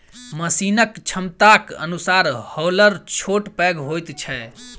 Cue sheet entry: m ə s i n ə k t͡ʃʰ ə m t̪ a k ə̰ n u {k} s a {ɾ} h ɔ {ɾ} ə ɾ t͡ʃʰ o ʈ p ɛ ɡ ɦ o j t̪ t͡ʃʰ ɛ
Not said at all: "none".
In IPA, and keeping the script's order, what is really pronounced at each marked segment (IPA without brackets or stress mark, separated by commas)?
none, ɾ, l